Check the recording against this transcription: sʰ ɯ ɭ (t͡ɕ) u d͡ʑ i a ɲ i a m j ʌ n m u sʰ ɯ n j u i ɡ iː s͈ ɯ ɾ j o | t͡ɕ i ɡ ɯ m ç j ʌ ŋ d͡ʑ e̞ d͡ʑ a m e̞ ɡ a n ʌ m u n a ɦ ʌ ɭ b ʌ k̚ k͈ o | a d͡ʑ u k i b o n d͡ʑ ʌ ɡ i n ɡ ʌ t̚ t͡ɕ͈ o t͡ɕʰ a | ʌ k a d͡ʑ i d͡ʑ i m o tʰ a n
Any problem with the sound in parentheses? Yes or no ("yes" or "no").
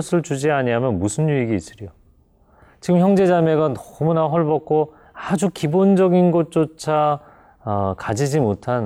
no